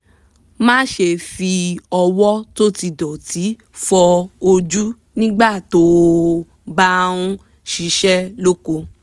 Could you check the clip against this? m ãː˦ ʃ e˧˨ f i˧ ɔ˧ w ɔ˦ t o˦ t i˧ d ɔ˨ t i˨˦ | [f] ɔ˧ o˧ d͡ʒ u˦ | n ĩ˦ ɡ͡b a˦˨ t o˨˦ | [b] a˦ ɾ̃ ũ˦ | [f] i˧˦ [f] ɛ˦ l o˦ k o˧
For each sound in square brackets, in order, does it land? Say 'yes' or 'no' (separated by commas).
yes, yes, no, no